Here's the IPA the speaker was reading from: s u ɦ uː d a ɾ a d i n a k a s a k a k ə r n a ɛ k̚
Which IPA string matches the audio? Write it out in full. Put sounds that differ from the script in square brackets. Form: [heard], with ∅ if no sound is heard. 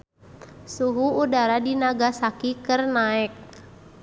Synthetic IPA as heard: s u ɦ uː d a ɾ a d i n a [ɡ] a s a k [i] k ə r n a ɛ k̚

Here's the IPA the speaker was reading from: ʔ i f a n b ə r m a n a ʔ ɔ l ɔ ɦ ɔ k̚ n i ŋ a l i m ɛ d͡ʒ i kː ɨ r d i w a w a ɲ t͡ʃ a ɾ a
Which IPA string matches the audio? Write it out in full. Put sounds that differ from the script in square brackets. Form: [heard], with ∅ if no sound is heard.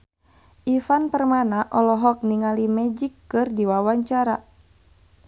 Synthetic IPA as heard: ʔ i f a n [p] ə r m a n a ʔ ɔ l ɔ ɦ ɔ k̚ n i ŋ a l i m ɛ d͡ʒ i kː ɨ r d i w a w a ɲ t͡ʃ a ɾ a

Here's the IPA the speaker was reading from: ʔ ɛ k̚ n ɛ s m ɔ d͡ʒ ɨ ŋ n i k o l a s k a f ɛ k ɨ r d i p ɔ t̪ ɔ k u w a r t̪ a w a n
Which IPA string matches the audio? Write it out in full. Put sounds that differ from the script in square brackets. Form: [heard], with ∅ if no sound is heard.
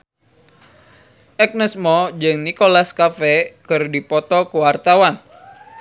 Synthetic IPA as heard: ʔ ɛ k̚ n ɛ s m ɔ d͡ʒ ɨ ŋ n i k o l a s k a f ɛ k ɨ r d i p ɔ t̪ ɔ k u w a r t̪ a w a n

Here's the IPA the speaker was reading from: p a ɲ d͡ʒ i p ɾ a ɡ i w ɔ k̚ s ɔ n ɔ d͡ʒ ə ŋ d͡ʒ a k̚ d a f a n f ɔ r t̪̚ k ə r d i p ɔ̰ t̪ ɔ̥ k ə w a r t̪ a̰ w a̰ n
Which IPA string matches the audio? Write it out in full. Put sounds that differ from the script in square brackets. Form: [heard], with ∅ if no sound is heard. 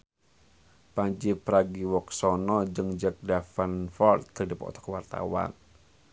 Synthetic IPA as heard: p a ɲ d͡ʒ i p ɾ a ɡ i w ɔ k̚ s ɔ n ɔ d͡ʒ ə ŋ d͡ʒ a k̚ d a f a n f ɔ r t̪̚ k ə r d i p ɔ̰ t̪ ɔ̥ k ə w a r t̪ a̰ w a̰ n

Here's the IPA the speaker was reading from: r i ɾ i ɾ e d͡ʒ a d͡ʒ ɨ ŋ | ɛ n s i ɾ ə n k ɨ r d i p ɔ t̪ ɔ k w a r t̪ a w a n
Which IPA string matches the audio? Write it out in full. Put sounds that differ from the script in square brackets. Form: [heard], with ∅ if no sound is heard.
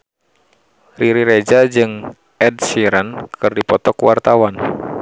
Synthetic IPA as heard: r i ɾ i ɾ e d͡ʒ a d͡ʒ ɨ ŋ | ɛ [d] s i ɾ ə n k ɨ r d i p ɔ t̪ ɔ k w a r t̪ a w a n

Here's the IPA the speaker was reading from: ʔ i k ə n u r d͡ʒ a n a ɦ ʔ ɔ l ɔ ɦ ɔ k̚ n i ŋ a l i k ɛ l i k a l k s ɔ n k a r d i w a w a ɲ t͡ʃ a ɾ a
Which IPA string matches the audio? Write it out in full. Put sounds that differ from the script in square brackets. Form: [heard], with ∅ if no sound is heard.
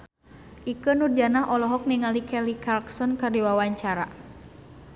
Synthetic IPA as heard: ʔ i k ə n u r d͡ʒ a n a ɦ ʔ ɔ l ɔ ɦ ɔ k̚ n i ŋ a l i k ɛ l i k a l k s ɔ n k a r d i w a w a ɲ t͡ʃ a ɾ a

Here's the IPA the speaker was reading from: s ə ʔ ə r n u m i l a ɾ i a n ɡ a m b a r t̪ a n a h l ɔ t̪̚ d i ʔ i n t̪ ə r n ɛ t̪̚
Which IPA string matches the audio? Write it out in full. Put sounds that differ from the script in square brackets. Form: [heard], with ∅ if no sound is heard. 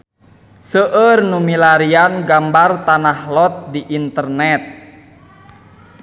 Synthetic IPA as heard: s ə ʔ ə r n u m i l a ɾ i a n ɡ a m b a r t̪ a n a h l ɔ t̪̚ d i ʔ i n t̪ ə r n ɛ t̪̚

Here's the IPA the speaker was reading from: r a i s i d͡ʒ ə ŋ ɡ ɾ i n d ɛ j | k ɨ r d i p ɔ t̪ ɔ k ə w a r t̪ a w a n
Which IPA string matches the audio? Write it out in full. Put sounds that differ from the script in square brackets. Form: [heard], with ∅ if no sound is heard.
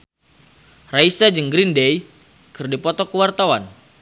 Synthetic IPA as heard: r a i s [a] d͡ʒ ə ŋ ɡ ɾ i n d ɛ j | k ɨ r d i p ɔ t̪ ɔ k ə w a r t̪ a w a n

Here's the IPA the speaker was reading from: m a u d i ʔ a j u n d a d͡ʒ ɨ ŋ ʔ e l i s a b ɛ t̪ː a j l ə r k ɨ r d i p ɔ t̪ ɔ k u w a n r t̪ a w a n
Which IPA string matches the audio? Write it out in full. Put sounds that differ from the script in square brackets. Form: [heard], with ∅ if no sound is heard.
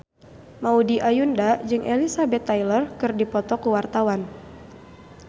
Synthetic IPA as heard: m a u d i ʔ a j u n d a d͡ʒ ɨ ŋ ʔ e l i s a b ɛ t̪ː a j l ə r k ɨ r d i p ɔ t̪ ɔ k u w a [∅] r t̪ a w a n

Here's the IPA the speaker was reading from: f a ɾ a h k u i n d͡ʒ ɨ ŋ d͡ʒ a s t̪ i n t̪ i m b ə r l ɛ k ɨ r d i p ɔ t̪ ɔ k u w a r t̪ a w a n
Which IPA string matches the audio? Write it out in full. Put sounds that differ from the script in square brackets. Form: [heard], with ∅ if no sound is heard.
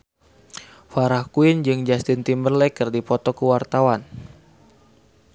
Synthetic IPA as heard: f a ɾ a h k u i n d͡ʒ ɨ ŋ d͡ʒ a s t̪ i n t̪ i m b ə r l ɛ k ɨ r d i p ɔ t̪ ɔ k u w a r t̪ a w a n

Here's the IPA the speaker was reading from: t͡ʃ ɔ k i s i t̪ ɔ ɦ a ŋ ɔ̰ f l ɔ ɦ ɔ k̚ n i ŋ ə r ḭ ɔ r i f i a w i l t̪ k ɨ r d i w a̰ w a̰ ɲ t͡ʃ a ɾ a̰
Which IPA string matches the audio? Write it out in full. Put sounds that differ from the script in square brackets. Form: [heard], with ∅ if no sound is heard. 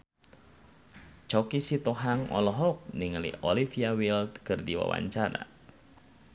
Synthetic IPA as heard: t͡ʃ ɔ k i s i t̪ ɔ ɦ a ŋ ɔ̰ [∅] l ɔ ɦ ɔ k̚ n i ŋ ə [l] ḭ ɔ [l] i f i a w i l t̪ k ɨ r d i w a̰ w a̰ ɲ t͡ʃ a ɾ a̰

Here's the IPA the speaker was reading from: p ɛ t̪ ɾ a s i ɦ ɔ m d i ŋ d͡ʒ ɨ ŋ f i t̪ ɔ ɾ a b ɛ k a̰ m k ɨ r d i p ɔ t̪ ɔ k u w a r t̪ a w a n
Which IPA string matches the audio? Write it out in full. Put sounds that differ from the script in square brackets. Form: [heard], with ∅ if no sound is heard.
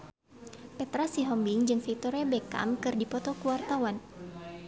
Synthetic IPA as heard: p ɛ t̪ ɾ a s i ɦ ɔ m [b] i ŋ d͡ʒ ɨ ŋ f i t̪ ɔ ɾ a b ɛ k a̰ m k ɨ r d i p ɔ t̪ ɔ k u w a r t̪ a w a n

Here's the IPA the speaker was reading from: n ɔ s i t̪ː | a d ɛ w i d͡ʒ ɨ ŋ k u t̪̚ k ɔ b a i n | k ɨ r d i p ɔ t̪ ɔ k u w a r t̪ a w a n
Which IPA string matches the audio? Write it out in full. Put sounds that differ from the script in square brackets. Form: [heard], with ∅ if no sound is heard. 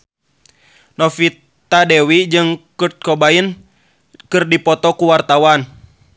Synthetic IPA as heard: n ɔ [f] i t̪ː | a d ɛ w i d͡ʒ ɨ ŋ k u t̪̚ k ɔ b a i n | k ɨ r d i p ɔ t̪ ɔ k u w a r t̪ a w a n

